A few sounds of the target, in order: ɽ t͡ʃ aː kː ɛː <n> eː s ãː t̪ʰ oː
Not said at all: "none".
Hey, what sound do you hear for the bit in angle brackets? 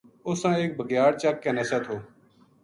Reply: n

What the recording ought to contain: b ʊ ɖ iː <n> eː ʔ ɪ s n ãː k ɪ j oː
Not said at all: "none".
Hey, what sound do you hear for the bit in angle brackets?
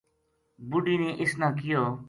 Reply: n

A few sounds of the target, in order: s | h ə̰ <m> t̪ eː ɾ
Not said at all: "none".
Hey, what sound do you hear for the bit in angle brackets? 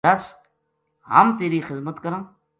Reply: m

